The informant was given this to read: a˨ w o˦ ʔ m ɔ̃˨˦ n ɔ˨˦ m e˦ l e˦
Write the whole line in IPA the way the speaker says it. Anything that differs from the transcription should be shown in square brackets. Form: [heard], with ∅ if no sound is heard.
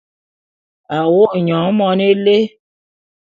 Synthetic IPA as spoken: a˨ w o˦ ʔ [ɲ] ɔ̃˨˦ [m] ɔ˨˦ [n] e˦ l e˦

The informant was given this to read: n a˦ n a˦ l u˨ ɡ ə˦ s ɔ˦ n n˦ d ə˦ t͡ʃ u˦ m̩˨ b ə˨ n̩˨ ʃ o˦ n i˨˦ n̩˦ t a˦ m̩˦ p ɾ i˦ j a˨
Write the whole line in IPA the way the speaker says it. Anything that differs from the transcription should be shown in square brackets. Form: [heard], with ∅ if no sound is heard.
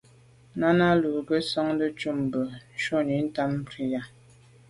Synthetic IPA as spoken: n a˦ n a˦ l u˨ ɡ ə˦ s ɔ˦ [ŋ] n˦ d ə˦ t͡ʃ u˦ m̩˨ b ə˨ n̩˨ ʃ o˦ n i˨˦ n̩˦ t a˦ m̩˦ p ɾ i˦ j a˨

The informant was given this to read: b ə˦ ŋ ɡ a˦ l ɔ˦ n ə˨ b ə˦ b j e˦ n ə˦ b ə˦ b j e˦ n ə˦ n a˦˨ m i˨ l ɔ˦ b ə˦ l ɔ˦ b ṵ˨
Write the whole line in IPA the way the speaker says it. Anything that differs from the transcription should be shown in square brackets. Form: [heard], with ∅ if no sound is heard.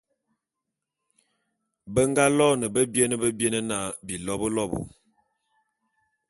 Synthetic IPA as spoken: b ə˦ ŋ ɡ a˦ l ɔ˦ n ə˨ b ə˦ b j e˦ n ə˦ b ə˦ b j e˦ n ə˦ n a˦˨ [b] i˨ l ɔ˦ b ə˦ l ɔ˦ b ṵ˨

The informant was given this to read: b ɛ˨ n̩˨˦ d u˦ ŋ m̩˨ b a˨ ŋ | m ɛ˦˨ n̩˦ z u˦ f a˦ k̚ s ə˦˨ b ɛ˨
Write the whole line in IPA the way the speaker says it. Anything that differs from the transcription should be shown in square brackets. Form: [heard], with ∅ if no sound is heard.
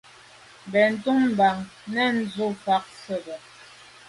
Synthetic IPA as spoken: b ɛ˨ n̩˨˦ [t] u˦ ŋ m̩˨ b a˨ ŋ | [n] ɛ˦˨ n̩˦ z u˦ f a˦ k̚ s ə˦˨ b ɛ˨

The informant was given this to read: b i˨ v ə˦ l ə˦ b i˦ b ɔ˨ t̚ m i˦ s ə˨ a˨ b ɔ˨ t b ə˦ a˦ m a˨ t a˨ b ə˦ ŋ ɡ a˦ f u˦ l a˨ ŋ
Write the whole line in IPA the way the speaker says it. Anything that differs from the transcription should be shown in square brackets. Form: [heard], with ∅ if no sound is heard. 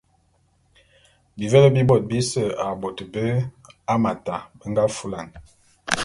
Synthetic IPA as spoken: b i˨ v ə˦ l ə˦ b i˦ b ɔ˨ t̚ [b] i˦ s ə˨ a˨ b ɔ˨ t b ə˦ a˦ m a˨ t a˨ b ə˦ ŋ ɡ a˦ f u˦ l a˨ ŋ

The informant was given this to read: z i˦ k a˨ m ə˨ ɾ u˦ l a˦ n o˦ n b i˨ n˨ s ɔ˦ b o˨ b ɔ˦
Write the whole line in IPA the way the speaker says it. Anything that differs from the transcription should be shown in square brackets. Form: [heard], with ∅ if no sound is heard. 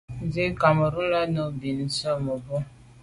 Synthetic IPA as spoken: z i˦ k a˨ m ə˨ ɾ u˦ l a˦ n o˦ [∅] b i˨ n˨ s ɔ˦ [m] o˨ b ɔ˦

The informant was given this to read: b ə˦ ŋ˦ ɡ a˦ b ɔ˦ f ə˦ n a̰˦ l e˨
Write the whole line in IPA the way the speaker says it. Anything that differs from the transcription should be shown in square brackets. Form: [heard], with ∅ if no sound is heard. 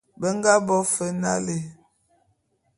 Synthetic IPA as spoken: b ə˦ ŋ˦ ɡ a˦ b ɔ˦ f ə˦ n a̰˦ l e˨

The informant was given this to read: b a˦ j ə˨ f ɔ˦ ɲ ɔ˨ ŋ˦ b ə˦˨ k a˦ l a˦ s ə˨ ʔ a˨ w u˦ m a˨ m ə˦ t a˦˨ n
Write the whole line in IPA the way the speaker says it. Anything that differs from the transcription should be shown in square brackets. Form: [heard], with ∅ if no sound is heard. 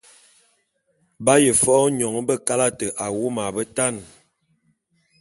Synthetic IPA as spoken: b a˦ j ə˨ f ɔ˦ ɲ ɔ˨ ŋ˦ b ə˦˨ k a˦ l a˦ [t] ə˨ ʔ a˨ w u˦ m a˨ [b] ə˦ t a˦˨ n

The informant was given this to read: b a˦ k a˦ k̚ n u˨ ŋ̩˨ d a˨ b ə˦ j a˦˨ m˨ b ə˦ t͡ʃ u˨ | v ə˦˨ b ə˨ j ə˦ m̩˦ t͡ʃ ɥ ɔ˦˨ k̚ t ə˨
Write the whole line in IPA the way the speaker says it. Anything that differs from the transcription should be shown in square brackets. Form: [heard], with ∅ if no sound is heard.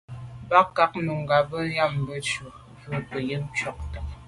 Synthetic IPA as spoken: b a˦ k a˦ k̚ n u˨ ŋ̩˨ [ɡ] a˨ b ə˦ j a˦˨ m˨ b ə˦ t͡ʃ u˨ | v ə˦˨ [p] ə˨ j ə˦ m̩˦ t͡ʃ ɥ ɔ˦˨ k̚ t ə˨

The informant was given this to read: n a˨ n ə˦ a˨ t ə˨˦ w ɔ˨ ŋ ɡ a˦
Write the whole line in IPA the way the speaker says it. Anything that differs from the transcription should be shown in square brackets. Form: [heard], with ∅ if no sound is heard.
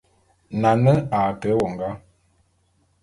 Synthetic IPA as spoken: n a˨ n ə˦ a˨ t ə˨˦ w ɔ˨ ŋ ɡ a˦

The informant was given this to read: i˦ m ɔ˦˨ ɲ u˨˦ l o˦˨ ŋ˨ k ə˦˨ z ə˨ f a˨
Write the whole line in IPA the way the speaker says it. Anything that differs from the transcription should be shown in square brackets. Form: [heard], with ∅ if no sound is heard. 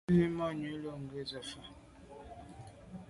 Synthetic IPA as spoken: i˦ m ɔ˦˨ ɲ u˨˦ l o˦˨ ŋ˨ [ɡ] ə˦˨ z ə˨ f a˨

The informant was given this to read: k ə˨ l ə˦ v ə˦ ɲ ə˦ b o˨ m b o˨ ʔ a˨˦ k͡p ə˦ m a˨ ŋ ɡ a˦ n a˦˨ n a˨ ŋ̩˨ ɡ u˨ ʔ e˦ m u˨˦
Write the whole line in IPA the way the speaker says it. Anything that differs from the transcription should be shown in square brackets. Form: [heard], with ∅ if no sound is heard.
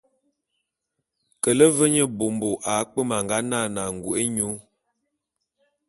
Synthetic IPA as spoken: k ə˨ l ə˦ v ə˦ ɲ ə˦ b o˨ m b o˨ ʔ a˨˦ k͡p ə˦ m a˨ ŋ ɡ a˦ n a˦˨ n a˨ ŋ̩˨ ɡ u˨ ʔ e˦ [ɲ] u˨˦

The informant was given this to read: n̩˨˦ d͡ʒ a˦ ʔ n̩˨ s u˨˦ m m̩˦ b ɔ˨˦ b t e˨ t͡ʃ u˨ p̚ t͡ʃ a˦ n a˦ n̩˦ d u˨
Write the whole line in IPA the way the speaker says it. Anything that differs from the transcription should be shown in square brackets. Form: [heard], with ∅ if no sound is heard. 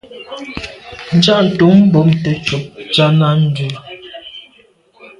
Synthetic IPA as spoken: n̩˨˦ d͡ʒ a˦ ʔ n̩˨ [t] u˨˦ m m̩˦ b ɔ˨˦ [m] t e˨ t͡ʃ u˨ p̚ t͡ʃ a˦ n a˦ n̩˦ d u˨

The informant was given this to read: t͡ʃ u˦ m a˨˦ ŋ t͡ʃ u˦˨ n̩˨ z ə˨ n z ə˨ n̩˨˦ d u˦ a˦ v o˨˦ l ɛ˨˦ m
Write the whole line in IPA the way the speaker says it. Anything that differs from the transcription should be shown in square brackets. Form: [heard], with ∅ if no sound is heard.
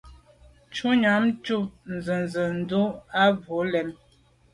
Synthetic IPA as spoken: t͡ʃ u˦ [ɲ] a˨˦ [m] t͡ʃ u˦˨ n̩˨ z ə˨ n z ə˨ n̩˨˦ d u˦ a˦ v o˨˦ l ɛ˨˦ m

